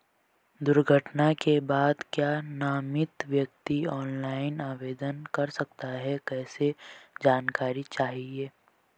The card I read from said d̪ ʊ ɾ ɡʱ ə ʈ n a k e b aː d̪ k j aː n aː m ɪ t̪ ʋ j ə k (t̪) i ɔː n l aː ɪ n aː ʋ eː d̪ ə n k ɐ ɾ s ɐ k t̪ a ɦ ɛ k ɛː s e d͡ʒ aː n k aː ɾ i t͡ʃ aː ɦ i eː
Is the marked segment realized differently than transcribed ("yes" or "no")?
no